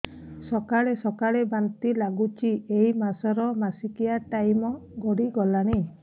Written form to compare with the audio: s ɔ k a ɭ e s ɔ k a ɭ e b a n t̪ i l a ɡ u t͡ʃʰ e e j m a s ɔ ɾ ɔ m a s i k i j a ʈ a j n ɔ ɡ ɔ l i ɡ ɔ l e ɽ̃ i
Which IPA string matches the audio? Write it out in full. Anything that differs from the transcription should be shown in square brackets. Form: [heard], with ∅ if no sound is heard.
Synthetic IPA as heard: s ɔ k a ɭ e s ɔ k a ɭ e b a n t̪ i l a ɡ u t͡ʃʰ [i] e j m a s ɔ ɾ ɔ m a s i k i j a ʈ a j [m] ɔ ɡ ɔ [ɽ] i ɡ ɔ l [a] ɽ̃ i